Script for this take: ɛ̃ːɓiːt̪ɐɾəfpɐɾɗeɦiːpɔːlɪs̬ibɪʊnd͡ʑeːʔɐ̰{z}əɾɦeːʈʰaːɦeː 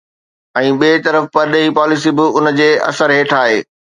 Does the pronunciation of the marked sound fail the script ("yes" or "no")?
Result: yes